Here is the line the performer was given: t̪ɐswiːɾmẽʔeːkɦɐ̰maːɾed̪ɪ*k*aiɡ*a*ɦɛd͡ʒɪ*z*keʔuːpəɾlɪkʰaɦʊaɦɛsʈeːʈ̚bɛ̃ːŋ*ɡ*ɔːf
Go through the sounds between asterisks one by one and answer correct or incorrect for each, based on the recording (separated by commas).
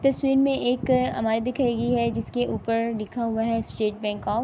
incorrect, incorrect, incorrect, incorrect